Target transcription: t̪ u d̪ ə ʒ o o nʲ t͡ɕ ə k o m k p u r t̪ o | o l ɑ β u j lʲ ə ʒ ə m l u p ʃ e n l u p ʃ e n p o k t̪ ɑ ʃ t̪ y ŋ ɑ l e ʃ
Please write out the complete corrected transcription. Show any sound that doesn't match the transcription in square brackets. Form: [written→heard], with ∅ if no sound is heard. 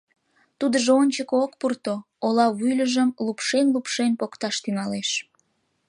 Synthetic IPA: t̪ u d̪ ə ʒ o o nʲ t͡ɕ ə k o [m→∅] k p u r t̪ o | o l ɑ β u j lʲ ə ʒ ə m l u p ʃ e n l u p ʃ e n p o k t̪ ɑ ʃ t̪ y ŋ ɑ l e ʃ